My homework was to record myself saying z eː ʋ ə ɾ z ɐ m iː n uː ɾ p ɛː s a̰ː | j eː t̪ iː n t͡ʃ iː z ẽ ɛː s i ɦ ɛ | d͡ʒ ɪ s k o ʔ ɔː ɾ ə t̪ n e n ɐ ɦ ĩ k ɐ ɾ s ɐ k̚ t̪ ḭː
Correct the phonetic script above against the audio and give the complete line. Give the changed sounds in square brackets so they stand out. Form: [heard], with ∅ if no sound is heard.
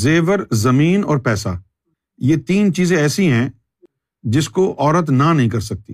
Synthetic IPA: z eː ʋ ə ɾ z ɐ m iː n [ɔː] ɾ p ɛː s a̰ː | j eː t̪ iː n t͡ʃ iː z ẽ ɛː s i ɦ [ɛ̃] | d͡ʒ ɪ s k o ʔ ɔː ɾ ə t̪ n [a] n ɐ ɦ ĩ k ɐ ɾ s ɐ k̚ t̪ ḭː